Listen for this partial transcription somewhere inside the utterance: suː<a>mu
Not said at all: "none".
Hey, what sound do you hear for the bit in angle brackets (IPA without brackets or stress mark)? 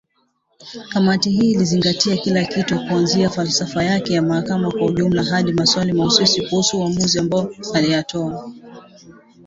a